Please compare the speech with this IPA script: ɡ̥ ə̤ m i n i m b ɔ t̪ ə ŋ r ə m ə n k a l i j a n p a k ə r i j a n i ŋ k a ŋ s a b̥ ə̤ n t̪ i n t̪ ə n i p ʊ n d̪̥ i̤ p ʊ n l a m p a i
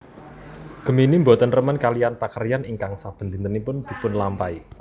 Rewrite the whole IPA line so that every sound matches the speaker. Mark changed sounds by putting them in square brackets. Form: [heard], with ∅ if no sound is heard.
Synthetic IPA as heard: ɡ̥ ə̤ m i n i m b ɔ t̪ ə [n] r ə m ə n k a l i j a n p a k ə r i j a n i ŋ k a ŋ s a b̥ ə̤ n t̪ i n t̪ ə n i p ʊ n d̪̥ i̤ p ʊ n l a m p a i